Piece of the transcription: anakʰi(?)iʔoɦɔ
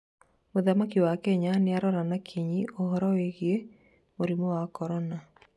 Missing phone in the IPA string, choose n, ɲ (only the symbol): ɲ